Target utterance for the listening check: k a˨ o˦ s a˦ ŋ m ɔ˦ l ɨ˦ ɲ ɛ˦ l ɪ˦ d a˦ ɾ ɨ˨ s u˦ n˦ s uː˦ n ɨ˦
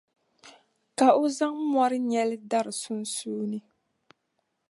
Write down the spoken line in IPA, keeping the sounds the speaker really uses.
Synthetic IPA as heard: k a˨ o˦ z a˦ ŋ m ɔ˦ ɾ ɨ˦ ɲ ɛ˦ l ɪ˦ d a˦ ɾ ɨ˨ s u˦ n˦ s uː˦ n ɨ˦